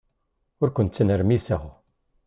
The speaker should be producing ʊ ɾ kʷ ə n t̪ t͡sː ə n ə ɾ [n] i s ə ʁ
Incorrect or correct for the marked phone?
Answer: incorrect: m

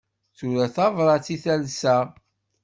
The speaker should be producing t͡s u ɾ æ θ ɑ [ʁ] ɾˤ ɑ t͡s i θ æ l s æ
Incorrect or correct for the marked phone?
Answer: incorrect: v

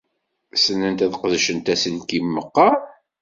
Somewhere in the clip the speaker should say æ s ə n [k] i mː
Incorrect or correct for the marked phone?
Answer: correct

